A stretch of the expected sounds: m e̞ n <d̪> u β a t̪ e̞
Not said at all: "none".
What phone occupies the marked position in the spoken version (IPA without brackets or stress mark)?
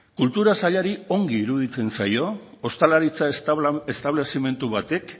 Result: t̪